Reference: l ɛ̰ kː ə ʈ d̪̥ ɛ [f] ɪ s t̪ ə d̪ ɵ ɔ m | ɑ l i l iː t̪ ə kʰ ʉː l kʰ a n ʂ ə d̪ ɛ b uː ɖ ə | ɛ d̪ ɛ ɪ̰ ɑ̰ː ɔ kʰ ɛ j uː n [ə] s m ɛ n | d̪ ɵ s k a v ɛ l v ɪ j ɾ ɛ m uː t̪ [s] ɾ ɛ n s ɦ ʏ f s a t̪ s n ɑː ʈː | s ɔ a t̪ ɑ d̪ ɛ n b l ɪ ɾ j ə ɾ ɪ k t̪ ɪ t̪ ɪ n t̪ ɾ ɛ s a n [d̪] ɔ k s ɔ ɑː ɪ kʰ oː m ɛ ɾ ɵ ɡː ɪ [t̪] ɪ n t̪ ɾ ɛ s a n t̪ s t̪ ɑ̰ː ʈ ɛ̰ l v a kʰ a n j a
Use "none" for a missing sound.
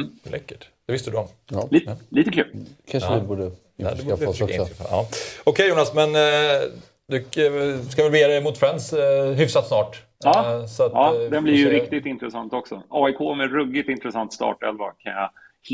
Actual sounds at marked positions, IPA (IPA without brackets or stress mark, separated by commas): v, a, f, t̪, t̪